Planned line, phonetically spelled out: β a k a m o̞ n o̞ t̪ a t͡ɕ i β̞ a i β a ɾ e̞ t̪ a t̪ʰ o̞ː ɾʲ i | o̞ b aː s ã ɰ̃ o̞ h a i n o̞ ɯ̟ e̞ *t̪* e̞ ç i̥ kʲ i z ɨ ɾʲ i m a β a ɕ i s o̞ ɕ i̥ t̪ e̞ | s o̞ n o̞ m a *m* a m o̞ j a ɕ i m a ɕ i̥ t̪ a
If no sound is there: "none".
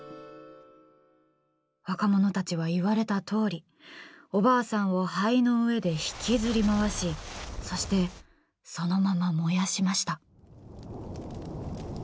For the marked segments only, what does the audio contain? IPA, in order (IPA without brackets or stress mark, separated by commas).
d̪, m